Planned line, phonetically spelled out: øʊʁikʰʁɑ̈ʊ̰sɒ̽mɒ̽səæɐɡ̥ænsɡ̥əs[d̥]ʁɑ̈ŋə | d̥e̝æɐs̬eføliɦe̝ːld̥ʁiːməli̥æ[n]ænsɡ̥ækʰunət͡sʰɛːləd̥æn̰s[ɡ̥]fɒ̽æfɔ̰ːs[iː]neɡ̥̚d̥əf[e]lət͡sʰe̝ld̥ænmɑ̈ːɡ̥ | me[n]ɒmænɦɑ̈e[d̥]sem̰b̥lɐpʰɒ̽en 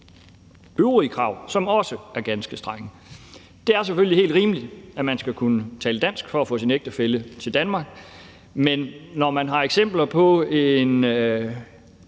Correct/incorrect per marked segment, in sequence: correct, incorrect: m, correct, incorrect: i, correct, incorrect: nː, incorrect: ɡ̥

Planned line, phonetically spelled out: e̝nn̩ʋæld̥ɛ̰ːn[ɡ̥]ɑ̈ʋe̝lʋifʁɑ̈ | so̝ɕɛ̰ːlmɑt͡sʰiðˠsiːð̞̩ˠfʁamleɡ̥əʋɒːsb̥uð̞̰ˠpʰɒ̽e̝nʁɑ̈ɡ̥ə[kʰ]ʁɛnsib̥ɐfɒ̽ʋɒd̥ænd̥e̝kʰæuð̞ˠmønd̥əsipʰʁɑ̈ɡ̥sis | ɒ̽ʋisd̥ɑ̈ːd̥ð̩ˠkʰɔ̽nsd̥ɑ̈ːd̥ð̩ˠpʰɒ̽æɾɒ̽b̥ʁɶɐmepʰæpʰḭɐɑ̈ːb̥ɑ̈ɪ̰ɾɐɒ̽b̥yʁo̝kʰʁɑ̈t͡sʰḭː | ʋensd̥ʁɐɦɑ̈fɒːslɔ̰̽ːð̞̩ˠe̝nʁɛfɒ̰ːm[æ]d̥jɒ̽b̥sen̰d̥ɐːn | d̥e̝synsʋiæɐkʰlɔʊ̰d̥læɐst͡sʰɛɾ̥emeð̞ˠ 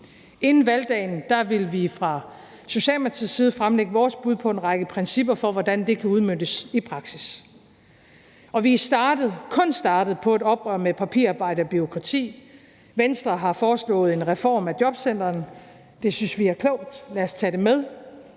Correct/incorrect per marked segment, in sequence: incorrect: d̥, incorrect: pʰ, correct

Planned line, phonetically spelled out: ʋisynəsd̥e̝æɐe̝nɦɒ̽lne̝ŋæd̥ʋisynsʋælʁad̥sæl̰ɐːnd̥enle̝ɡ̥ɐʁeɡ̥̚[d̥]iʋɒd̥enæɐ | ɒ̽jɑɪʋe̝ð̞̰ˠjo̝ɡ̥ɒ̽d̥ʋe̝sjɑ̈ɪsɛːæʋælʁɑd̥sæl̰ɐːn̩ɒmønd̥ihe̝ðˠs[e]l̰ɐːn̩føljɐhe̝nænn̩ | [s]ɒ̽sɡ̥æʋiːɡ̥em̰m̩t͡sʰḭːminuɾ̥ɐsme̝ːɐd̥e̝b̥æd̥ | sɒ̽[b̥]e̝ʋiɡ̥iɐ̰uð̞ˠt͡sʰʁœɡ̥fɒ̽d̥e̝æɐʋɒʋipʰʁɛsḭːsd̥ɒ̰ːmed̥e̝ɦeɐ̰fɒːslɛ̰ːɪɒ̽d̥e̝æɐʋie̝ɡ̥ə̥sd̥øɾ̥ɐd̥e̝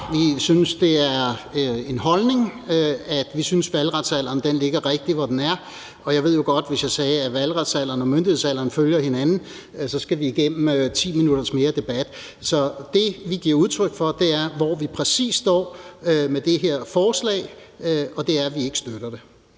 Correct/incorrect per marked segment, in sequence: correct, incorrect: æ, correct, incorrect: d̥

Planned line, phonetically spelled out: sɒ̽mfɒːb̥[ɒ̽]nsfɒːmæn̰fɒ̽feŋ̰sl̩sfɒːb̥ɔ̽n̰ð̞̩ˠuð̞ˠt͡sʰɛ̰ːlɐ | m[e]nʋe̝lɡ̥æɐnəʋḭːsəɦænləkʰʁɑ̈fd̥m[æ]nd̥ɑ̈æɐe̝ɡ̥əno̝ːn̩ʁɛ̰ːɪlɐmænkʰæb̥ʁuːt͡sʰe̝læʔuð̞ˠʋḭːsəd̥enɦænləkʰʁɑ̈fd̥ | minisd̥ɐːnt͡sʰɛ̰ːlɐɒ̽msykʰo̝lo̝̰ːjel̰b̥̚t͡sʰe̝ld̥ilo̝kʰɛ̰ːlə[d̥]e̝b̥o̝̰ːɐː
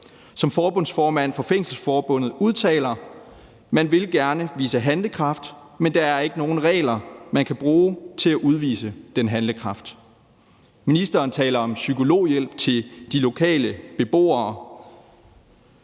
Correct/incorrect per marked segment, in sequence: incorrect: ɔ̽, incorrect: æ, incorrect: e, incorrect: b̥

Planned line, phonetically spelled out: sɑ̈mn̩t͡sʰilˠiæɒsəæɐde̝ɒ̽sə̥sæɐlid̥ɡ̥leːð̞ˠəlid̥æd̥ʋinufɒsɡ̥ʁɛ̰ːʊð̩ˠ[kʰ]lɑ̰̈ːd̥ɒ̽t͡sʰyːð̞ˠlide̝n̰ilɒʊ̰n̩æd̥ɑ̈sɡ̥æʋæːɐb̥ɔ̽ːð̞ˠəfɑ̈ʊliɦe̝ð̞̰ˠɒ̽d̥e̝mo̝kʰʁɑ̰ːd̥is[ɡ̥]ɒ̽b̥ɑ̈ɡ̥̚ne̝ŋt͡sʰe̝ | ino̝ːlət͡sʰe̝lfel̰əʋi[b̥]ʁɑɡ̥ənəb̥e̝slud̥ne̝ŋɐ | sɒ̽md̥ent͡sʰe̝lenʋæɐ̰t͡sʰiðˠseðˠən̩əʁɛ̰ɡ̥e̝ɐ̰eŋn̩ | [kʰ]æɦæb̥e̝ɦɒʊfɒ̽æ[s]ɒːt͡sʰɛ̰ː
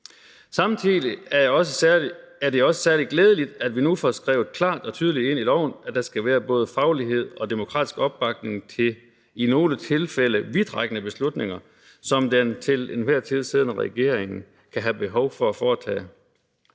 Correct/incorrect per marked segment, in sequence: correct, correct, incorrect: d̥, correct, incorrect: f

